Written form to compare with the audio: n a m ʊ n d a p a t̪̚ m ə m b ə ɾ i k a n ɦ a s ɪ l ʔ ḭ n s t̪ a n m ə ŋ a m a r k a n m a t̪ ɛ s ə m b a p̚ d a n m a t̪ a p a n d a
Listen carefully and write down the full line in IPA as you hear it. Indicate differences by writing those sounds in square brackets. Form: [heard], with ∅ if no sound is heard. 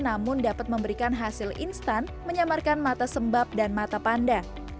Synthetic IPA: n a m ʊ n d a p a t̪̚ m ə m b ə ɾ i k a n ɦ a s ɪ l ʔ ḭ n s t̪ a n m ə [ɲ] a m a r k a n m a t̪ [a] s ə m b a p̚ d a n m a t̪ a p a n d a